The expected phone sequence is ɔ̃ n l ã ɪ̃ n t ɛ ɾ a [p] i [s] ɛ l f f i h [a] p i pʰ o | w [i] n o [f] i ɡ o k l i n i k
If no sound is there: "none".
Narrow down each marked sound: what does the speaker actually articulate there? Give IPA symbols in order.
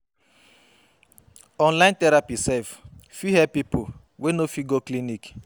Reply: p, s, ɛ, e, f

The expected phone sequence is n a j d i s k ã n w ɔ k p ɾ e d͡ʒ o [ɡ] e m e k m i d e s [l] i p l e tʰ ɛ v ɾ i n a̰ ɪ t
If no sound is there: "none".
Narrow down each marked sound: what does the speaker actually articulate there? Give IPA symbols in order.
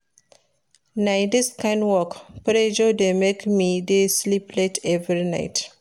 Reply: d, l

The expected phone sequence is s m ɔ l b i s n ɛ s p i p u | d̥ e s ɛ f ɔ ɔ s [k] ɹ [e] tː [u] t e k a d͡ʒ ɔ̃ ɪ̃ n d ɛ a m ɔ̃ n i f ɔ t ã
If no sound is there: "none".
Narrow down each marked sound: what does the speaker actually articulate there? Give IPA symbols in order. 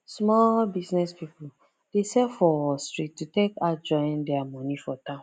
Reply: t, i, u

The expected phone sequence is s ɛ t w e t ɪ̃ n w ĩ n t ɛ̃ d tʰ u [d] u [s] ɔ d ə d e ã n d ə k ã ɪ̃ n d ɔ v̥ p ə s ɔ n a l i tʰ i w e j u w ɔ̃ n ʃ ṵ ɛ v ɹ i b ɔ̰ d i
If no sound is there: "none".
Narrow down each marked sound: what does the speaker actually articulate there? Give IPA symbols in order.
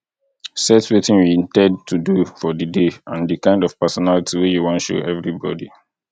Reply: d, f

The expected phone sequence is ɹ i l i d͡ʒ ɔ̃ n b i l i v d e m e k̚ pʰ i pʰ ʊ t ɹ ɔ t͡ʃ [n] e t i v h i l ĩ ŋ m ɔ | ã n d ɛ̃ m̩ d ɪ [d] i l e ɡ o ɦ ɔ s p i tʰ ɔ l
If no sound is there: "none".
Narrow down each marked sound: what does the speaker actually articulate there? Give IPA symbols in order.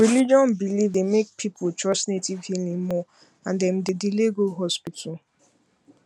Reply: n, d

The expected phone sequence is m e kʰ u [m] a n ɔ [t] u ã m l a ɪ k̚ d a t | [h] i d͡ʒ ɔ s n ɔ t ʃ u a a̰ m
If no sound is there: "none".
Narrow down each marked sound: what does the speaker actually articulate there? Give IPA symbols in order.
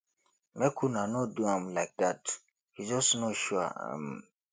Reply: n, d, h

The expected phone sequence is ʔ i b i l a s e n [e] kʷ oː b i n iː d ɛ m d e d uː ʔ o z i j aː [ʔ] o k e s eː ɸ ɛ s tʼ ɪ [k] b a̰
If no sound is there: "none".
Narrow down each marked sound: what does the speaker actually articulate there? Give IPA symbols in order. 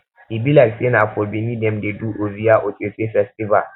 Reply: a, ʔ, none

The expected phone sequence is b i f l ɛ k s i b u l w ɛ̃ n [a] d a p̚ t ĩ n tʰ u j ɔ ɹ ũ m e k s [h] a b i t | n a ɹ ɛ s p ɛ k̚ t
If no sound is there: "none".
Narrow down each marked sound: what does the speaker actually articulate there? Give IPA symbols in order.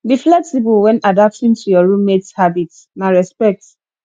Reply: a, h

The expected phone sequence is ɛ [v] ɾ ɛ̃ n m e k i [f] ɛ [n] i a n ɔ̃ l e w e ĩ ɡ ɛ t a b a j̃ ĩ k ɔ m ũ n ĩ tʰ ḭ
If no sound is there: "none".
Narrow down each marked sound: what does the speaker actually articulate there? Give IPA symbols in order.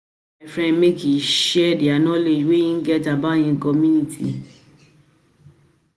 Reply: f, ʃ, d

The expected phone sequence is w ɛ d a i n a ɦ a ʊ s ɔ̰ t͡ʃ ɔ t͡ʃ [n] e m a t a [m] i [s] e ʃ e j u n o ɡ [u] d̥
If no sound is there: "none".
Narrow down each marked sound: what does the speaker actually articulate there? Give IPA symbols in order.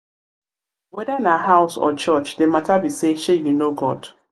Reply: d, b, s, ɔ

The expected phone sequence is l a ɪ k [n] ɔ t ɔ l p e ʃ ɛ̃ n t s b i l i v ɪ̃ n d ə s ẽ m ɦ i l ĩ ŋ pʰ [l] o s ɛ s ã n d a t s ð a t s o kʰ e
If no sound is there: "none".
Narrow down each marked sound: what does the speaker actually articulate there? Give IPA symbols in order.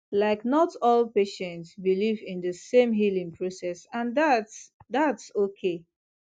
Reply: n, ɹ

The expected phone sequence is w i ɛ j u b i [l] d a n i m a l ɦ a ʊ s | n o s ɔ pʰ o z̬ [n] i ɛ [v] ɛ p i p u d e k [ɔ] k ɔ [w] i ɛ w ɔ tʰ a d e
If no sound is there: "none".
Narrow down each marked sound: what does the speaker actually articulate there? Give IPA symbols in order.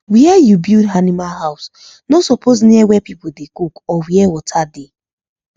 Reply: l, n, w, u, w

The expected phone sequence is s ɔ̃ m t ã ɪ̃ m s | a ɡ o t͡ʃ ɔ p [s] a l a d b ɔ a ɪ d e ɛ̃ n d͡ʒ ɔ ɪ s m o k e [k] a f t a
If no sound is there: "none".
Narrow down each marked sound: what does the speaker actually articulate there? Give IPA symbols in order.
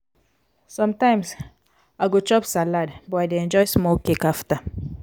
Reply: s, k

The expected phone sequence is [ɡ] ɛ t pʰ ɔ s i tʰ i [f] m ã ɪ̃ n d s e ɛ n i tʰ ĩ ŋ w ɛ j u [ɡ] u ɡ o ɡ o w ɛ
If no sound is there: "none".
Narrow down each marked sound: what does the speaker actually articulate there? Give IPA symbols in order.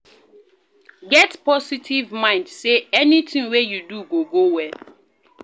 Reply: ɡ, v, d

